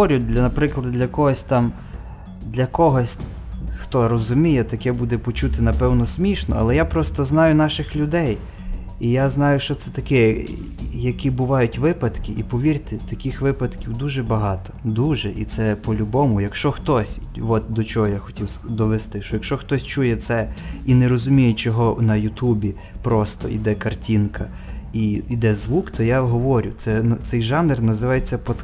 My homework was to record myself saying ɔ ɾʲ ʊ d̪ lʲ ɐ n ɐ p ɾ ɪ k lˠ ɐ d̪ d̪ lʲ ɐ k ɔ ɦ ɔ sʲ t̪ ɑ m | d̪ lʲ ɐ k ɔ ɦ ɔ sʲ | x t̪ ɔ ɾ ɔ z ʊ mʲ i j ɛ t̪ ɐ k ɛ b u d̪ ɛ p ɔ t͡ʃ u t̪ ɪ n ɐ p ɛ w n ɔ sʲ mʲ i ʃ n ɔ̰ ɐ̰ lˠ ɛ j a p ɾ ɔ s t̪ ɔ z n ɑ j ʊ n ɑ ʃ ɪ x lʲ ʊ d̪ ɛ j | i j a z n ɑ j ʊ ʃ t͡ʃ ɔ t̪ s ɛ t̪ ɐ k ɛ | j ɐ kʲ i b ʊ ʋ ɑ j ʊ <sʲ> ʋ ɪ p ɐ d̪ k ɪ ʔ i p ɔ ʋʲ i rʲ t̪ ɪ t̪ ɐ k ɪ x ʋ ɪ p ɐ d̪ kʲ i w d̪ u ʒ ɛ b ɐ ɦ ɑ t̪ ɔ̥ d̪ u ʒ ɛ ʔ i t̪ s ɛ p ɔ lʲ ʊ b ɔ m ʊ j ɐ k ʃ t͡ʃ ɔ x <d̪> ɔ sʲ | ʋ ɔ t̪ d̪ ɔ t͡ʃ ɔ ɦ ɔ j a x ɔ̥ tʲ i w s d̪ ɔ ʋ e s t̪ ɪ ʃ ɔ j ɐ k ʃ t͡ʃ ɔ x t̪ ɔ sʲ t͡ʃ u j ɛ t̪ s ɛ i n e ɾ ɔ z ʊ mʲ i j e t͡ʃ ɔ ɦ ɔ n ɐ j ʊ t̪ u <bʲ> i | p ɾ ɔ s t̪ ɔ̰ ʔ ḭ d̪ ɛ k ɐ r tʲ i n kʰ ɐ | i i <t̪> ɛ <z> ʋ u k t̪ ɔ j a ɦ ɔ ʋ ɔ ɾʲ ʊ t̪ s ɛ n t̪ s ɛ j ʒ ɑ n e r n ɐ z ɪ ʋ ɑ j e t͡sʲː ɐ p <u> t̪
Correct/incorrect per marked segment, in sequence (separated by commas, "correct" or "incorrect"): incorrect, incorrect, correct, incorrect, correct, incorrect